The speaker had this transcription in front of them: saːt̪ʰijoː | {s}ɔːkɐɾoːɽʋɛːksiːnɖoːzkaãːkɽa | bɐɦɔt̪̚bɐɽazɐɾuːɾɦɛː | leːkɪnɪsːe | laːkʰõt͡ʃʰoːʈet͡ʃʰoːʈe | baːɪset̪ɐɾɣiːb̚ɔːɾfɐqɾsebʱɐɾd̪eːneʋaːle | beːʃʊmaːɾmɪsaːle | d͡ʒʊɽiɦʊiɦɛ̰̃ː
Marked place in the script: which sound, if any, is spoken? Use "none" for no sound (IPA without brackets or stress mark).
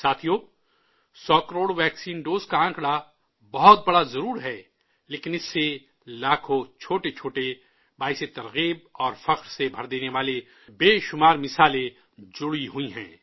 s